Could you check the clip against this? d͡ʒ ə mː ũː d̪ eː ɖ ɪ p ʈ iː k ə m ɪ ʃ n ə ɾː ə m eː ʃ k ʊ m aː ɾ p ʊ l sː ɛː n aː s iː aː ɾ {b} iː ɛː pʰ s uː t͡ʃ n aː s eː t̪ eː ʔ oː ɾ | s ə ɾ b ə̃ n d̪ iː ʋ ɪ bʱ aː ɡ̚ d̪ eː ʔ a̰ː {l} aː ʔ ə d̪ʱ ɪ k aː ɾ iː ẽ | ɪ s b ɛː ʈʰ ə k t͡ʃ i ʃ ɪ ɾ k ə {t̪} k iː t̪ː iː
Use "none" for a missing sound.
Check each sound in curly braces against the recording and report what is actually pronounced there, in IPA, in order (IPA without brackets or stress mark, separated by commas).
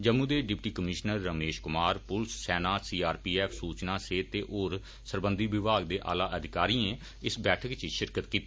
p, l, t̪